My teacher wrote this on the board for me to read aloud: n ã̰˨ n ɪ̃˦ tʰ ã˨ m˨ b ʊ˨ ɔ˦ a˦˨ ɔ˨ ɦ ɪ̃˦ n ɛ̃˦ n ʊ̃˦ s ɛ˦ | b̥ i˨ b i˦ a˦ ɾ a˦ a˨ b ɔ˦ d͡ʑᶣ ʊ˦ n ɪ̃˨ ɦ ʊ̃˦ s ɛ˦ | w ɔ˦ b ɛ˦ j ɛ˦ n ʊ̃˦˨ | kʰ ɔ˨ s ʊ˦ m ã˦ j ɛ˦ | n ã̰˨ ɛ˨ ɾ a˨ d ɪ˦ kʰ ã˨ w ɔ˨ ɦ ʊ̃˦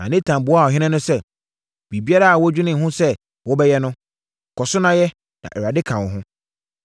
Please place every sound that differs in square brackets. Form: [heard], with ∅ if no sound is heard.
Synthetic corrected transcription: n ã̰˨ n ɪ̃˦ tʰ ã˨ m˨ b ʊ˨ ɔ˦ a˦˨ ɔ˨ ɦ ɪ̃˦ n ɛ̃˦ n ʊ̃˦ s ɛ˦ | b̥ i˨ b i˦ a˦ ɾ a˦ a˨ [w] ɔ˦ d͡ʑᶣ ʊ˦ n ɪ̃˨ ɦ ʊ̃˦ s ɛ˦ | w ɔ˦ b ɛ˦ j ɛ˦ n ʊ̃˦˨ | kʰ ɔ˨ s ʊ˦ [n] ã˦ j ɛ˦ | n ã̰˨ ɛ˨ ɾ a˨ d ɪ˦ kʰ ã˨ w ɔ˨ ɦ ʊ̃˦